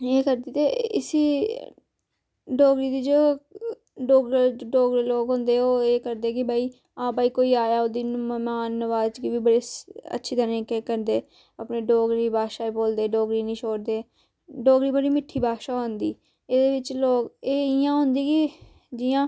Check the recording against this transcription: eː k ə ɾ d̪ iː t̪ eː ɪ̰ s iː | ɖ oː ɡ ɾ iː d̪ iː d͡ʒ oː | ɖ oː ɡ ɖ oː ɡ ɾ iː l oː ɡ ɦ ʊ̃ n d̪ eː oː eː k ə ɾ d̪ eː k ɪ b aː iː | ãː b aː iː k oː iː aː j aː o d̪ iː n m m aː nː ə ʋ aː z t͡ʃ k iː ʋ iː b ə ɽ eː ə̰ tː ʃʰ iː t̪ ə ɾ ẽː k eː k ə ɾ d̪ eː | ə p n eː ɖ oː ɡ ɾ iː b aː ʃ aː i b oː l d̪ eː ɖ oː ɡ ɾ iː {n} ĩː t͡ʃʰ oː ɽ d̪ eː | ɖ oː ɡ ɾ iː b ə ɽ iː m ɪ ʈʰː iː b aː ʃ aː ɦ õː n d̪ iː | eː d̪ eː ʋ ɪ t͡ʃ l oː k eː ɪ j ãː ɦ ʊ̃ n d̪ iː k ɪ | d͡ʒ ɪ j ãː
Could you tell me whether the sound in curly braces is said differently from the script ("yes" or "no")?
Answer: no